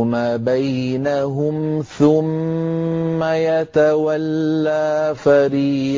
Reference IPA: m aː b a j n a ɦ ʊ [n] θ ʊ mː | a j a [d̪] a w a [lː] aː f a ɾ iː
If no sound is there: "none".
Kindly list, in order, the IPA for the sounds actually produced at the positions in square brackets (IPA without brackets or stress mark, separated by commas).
m, t̪, lː